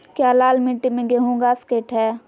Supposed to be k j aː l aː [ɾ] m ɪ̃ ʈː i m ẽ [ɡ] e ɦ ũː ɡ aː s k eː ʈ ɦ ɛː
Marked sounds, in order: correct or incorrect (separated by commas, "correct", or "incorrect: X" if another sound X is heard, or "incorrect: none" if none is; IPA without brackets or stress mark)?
incorrect: l, correct